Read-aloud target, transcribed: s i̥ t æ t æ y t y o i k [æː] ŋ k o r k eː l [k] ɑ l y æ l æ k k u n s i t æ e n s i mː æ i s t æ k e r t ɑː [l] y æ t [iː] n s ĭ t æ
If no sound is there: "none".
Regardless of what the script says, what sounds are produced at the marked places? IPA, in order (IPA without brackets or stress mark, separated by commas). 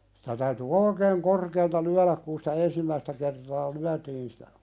eː, t, l, iː